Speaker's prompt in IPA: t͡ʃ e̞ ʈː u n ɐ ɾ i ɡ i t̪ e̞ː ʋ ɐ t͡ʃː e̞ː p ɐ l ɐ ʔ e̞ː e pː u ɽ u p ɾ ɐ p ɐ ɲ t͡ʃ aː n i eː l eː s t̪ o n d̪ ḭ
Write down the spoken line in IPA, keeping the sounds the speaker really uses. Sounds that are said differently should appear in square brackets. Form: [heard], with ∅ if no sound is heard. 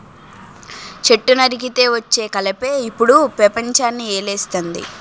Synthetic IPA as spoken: t͡ʃ e̞ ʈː u n ɐ ɾ i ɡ i t̪ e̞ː ʋ ɐ t͡ʃː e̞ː [k] ɐ l ɐ [p] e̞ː [i] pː u ɽ u p ɾ ɐ p ɐ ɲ t͡ʃ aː [nː] i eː l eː s t̪ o n d̪ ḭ